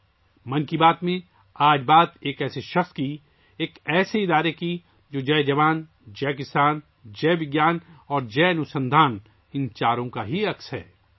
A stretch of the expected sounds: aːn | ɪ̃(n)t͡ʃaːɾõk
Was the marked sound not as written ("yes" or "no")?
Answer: no